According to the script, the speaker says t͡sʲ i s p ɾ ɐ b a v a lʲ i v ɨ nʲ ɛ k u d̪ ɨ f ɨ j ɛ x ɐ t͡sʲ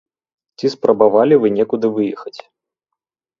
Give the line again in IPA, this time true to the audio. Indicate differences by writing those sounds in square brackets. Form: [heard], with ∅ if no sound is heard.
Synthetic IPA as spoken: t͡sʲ i s p ɾ ɐ b a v a lʲ i v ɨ nʲ ɛ k u d̪ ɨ [v] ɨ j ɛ x ɐ t͡sʲ